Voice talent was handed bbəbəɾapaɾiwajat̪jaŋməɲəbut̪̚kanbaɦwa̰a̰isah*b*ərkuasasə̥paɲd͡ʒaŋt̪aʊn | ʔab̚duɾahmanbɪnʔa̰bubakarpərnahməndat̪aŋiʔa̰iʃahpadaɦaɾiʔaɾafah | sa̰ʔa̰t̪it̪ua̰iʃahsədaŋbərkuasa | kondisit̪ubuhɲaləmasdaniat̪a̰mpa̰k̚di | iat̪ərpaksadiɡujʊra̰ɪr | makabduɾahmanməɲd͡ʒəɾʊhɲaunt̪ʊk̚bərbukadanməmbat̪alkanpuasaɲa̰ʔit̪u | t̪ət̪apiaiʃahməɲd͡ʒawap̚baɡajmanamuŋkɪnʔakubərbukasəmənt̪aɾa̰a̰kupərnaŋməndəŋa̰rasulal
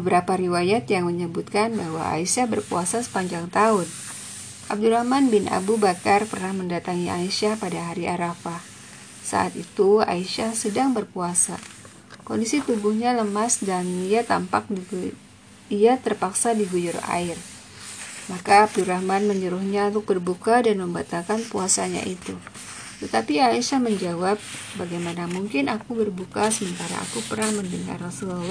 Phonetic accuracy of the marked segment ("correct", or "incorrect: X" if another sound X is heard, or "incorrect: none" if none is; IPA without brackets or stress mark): correct